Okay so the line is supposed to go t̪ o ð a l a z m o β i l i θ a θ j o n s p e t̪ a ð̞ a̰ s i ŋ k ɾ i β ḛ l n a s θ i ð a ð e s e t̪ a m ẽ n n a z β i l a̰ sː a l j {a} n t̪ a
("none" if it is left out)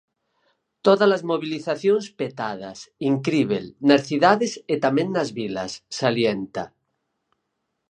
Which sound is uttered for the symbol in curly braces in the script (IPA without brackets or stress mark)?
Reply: e